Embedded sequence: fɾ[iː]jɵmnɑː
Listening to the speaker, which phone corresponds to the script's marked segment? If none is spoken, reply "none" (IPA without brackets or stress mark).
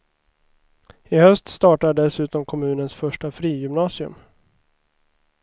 iː